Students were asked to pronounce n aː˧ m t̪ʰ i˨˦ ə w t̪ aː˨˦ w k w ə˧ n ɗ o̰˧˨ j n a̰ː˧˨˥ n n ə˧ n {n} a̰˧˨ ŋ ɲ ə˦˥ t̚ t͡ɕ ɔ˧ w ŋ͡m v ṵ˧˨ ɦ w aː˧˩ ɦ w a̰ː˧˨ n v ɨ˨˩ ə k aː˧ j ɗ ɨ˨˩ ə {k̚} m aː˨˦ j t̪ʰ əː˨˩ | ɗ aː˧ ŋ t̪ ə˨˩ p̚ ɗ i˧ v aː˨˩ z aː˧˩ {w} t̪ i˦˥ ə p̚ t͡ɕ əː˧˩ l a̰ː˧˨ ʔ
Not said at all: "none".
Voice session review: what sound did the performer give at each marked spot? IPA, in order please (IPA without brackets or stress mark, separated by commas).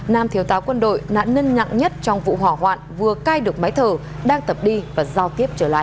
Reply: ɲ, k̚, w